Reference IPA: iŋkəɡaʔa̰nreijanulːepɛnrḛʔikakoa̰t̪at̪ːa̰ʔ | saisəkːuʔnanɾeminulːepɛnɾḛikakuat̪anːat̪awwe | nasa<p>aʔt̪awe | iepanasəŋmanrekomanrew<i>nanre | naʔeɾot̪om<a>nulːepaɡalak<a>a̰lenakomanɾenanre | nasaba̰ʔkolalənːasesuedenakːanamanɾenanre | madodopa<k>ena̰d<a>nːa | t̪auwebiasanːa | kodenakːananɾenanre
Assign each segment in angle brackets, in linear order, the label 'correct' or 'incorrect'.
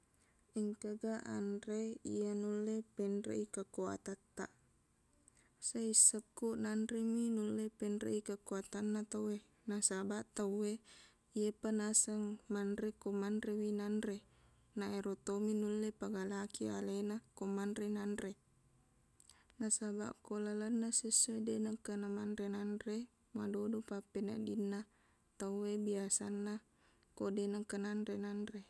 incorrect, correct, incorrect, incorrect, incorrect, incorrect

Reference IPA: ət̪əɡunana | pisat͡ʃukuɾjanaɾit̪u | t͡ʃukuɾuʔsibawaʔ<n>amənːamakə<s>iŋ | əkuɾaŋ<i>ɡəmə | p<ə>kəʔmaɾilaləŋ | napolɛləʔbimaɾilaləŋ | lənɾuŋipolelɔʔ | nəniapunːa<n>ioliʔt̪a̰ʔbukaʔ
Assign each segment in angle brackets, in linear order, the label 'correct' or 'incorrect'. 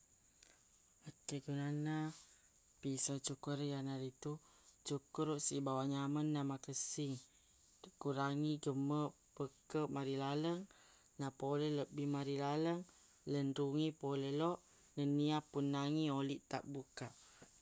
incorrect, correct, correct, correct, incorrect

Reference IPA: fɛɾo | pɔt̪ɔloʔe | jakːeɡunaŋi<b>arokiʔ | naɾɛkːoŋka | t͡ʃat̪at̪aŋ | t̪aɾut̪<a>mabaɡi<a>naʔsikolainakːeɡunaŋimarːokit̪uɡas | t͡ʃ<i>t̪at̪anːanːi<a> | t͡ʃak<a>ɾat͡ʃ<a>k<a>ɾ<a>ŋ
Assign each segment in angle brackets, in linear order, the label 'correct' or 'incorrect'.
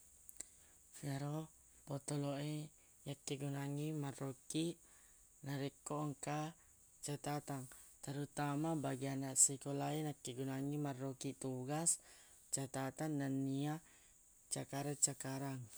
incorrect, correct, correct, incorrect, correct, correct, correct, correct, correct

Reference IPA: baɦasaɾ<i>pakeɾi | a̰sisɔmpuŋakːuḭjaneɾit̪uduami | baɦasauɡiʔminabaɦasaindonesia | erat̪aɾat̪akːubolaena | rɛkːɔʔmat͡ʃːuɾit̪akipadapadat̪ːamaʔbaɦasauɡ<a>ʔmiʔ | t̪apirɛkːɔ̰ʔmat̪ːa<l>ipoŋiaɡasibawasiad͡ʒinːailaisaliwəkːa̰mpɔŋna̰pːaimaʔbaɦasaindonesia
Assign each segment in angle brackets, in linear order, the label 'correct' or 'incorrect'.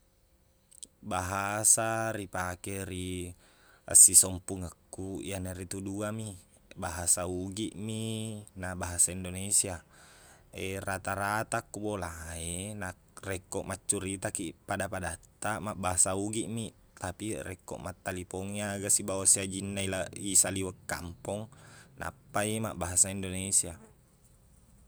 correct, incorrect, correct

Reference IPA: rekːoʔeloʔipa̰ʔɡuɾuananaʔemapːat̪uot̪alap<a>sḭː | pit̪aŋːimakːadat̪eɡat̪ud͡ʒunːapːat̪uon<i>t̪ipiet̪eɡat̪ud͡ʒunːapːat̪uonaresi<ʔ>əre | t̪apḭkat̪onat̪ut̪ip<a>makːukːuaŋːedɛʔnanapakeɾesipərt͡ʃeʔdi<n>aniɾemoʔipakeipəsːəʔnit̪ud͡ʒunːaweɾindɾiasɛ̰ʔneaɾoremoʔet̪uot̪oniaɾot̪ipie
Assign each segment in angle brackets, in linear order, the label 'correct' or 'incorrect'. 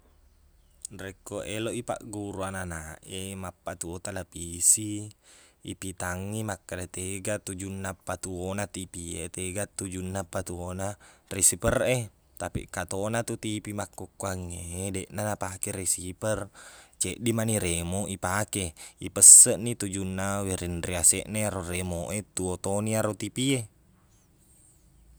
incorrect, incorrect, incorrect, incorrect, incorrect

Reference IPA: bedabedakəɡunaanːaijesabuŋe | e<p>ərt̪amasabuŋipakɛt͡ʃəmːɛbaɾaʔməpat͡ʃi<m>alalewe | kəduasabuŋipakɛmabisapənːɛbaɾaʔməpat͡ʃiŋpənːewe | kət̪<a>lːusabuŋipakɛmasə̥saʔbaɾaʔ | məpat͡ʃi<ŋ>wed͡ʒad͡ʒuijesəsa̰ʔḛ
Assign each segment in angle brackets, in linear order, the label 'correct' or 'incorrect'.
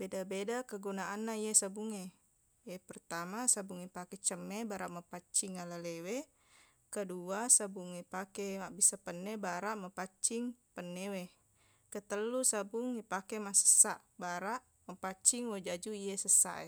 correct, incorrect, incorrect, correct

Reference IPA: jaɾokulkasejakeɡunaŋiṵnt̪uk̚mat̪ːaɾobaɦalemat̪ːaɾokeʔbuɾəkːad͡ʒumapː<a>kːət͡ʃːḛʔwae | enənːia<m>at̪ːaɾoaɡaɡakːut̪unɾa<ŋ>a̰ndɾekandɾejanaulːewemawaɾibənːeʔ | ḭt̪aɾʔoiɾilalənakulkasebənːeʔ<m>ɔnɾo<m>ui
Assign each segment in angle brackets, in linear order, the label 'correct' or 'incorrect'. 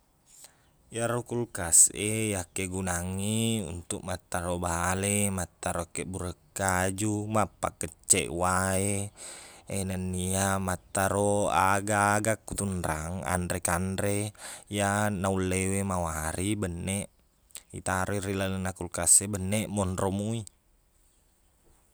correct, correct, correct, correct, correct

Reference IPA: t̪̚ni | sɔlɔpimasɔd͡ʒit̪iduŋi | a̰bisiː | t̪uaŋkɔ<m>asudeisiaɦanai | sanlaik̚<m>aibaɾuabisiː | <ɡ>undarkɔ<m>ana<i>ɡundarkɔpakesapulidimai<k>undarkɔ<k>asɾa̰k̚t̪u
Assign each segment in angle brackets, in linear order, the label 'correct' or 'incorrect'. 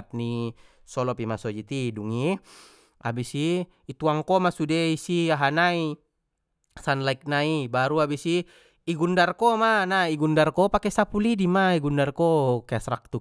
correct, incorrect, correct, correct, correct, incorrect, correct

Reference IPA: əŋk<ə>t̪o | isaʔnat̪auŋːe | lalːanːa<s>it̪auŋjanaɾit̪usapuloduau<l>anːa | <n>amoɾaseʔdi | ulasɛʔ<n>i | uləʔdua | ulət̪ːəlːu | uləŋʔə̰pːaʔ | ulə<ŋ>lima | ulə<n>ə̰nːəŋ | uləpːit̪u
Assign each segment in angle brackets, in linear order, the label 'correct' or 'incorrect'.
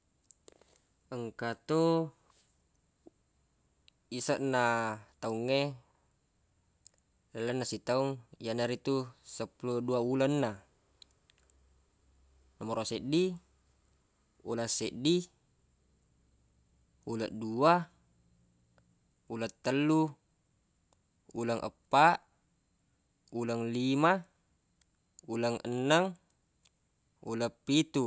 incorrect, correct, correct, correct, incorrect, correct, incorrect

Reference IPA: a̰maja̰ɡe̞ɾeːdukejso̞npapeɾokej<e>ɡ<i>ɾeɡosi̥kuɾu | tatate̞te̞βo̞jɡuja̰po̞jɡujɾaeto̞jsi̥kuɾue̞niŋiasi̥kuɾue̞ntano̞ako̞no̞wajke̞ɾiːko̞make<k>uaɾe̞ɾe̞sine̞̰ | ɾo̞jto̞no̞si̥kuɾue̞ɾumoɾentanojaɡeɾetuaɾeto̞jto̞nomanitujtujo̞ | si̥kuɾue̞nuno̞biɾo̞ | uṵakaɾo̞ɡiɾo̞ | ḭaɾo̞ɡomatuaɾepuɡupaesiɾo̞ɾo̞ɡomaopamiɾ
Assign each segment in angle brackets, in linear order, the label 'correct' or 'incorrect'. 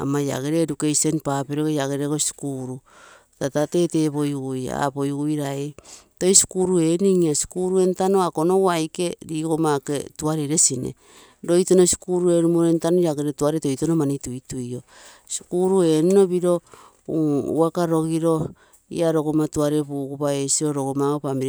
incorrect, incorrect, incorrect

